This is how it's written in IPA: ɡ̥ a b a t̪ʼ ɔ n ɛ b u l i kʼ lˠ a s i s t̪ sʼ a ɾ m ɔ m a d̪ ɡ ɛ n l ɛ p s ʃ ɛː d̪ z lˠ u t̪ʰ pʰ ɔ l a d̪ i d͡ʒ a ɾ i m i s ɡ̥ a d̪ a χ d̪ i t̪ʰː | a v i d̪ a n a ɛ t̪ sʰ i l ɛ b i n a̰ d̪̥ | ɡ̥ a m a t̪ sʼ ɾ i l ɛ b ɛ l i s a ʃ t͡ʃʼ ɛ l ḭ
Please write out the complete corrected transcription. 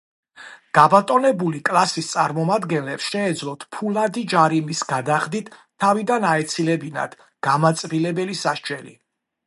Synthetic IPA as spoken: ɡ̥ a b a t̪ʼ ɔ n ɛ b u l i kʼ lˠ a s i s t̪ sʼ a ɾ m ɔ m a d̪ ɡ ɛ n l ɛ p s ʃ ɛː d̪ z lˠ ɔ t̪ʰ pʰ u l a d̪ i d͡ʒ a ɾ i m i s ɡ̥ a d̪ a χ d̪ i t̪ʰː | a v i d̪ a n a ɛ t̪ sʰ i l ɛ b i n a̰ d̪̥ | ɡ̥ a m a t̪ sʼ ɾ i l ɛ b ɛ l i s a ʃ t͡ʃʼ ɛ l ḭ